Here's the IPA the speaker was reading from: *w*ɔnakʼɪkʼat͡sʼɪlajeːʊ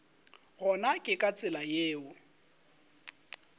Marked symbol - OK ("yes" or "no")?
no